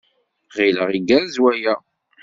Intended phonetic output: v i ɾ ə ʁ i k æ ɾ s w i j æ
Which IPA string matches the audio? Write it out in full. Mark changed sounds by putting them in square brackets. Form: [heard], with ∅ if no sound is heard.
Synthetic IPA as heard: [ʁ] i [l] ə ʁ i [ɡ] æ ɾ [z] w [æ] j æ